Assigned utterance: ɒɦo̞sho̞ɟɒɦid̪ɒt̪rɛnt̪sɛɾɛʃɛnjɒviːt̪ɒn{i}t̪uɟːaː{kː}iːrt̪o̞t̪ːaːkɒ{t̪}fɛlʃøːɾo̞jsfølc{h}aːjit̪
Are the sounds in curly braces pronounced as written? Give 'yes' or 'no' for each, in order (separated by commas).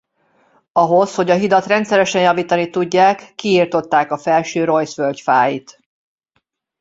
yes, yes, no, no